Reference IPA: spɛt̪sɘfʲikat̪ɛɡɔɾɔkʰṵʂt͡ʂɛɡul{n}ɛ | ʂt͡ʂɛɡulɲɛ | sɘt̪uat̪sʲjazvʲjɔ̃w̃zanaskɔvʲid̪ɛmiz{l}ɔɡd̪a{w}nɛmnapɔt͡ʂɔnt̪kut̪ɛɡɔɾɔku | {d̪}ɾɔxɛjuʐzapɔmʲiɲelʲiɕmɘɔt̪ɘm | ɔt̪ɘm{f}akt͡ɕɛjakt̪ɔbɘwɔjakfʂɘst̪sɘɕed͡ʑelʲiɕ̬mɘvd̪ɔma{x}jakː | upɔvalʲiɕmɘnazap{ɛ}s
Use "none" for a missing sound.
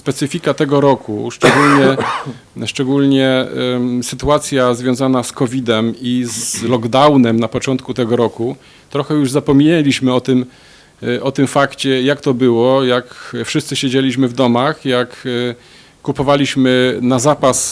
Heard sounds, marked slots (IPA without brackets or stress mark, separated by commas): ɲ, l, w, t̪, f, x, a